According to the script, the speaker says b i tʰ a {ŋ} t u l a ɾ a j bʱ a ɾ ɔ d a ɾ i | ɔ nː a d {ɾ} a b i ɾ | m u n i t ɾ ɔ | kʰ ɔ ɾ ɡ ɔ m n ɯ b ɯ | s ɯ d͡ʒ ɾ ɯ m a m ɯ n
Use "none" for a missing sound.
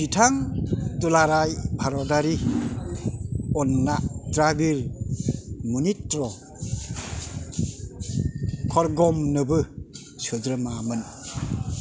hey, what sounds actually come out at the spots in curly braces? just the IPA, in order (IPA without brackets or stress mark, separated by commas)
ŋ, ɾ